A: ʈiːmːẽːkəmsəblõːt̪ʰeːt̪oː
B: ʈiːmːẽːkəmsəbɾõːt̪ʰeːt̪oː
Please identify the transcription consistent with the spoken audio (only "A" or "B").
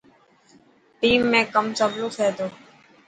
A